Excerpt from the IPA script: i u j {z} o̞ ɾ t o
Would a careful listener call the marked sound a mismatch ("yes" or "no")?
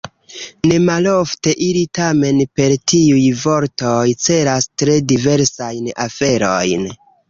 yes